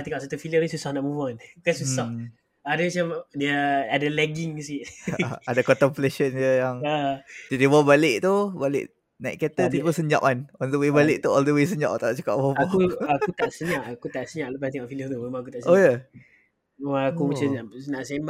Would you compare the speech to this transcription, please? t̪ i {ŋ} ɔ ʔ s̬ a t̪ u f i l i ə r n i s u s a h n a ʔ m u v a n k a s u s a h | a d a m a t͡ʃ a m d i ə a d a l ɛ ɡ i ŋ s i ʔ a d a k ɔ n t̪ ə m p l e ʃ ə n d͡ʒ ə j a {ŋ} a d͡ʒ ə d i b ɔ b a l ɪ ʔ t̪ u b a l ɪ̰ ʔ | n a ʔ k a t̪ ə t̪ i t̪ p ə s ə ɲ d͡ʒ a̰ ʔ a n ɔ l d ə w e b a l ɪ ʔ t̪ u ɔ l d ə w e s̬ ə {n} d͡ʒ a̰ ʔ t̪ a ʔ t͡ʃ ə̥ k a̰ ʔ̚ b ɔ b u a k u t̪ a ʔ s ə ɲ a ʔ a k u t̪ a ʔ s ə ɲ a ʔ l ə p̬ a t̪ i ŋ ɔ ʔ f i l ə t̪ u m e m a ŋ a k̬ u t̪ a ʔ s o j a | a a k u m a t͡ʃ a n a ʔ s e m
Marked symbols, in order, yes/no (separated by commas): yes, yes, no